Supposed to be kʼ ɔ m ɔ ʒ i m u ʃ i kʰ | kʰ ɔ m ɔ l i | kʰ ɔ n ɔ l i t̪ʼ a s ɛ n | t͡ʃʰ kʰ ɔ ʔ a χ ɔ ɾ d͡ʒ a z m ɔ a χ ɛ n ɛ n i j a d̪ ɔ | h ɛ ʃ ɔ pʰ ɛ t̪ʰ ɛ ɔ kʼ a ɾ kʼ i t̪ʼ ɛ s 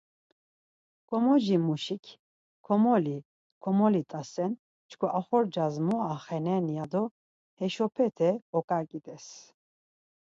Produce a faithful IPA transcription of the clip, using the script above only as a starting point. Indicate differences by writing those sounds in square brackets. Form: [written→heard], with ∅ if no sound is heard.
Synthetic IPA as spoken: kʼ ɔ m ɔ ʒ i m u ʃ i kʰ | kʰ ɔ m ɔ l i | kʰ ɔ [n→m] ɔ l i t̪ʼ a s ɛ n | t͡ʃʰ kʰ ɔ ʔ a χ ɔ ɾ d͡ʒ a z m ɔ a χ ɛ n ɛ n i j a d̪ ɔ | h ɛ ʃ ɔ pʰ ɛ t̪ʰ ɛ ɔ kʼ a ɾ kʼ i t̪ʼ ɛ s